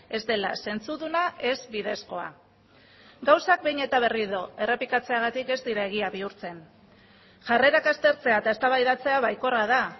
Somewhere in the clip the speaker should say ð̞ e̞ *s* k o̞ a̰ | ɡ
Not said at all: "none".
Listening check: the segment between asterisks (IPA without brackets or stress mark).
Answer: s